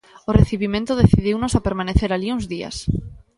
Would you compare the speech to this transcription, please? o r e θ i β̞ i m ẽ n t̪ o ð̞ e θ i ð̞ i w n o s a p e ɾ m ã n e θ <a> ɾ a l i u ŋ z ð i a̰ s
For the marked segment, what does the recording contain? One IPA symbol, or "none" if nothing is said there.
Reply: e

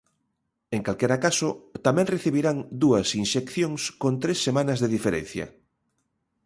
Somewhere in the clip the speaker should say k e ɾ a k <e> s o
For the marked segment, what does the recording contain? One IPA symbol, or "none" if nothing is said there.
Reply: a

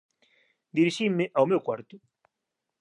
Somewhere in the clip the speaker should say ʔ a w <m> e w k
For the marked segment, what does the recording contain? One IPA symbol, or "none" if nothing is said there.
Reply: m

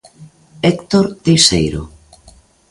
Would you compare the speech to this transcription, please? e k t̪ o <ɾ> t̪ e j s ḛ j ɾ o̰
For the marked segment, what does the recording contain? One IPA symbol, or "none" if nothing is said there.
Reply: ɾ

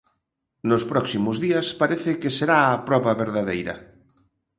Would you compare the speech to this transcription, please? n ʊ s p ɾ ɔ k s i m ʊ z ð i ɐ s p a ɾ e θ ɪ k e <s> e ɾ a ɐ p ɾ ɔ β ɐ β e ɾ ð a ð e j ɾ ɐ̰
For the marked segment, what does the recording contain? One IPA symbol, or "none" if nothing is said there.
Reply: s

